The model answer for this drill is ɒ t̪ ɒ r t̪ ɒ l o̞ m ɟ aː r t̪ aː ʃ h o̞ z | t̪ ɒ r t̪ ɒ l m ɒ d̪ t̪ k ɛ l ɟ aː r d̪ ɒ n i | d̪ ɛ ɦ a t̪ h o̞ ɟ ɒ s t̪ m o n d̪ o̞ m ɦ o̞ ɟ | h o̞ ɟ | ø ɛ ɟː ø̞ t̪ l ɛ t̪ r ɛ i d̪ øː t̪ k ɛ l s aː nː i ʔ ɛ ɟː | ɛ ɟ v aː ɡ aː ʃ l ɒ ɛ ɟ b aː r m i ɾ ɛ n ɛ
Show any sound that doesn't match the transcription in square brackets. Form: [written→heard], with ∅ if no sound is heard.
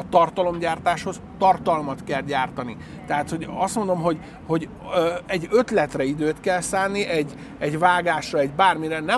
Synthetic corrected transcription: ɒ t̪ ɒ r t̪ ɒ l o̞ m ɟ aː r t̪ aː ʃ h o̞ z | t̪ ɒ r t̪ ɒ l m ɒ [d̪→∅] t̪ k ɛ l ɟ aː r [d̪→t̪] ɒ n i | [d̪→t̪] ɛ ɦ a t̪ h o̞ ɟ ɒ s t̪ m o n d̪ o̞ m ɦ o̞ ɟ | h o̞ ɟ | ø ɛ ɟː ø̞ t̪ l ɛ t̪ r ɛ i d̪ øː t̪ k ɛ l s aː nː i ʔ ɛ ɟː | ɛ ɟ v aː ɡ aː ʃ [l→r] ɒ ɛ ɟ b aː r m i ɾ ɛ n ɛ